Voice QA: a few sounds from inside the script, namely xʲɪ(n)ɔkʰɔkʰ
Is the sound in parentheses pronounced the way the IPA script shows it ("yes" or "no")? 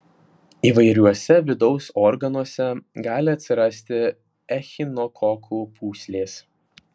yes